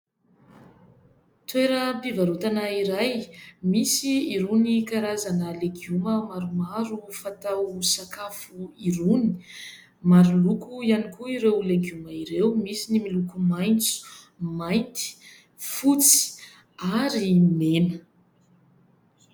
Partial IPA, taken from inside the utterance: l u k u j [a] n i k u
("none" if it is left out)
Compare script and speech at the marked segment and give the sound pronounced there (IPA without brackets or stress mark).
a